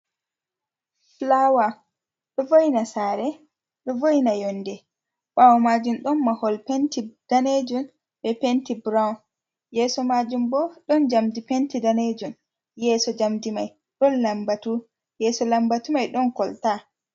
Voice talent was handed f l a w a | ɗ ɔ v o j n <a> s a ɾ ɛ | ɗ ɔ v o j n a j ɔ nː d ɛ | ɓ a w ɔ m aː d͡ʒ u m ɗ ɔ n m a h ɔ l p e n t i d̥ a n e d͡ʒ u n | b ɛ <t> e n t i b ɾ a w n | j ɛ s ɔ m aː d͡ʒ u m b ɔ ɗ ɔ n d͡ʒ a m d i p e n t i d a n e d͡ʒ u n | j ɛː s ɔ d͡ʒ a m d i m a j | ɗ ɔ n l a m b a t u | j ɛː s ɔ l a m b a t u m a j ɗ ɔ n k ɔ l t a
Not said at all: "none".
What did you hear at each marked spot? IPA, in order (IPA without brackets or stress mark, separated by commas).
a, p